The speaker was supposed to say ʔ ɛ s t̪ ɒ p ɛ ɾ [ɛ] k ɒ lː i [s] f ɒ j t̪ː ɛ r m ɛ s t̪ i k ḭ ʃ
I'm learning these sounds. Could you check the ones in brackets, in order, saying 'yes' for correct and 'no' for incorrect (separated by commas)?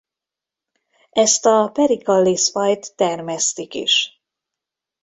no, yes